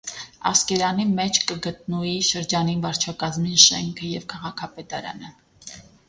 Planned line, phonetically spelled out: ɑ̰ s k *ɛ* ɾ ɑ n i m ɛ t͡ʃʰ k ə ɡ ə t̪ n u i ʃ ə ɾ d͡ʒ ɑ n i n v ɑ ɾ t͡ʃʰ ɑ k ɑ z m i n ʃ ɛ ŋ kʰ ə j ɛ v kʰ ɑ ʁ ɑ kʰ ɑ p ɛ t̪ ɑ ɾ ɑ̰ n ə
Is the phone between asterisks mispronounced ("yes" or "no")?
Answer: no